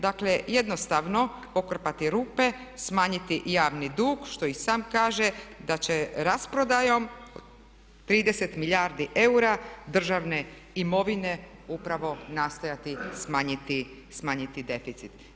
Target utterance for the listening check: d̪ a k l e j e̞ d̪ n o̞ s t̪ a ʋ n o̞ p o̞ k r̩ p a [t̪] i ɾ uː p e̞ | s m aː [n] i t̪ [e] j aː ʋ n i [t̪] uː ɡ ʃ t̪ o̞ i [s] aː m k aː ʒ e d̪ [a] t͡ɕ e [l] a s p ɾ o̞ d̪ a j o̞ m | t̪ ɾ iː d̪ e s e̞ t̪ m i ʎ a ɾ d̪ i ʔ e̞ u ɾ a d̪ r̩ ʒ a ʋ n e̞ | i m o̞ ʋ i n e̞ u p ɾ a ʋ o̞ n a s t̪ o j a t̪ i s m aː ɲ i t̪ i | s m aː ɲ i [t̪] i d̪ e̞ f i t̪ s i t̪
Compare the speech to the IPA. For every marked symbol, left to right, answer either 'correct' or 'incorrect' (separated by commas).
correct, incorrect, incorrect, incorrect, correct, correct, incorrect, correct